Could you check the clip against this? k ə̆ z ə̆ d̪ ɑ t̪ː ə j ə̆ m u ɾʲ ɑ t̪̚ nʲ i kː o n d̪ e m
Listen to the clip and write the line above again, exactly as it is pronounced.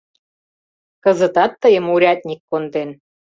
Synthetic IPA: k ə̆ z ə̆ t̪ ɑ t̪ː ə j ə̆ m u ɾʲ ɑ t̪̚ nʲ i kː o n d̪ e n